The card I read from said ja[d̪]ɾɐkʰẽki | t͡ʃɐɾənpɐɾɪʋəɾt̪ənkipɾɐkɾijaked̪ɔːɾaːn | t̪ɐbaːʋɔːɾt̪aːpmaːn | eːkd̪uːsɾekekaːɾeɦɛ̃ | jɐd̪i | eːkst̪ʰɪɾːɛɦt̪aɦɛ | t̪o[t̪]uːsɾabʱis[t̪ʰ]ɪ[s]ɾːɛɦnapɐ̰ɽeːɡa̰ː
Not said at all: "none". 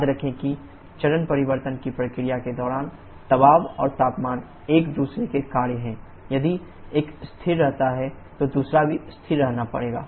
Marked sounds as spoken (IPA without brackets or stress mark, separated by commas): d̪, d̪, t̪ʰ, none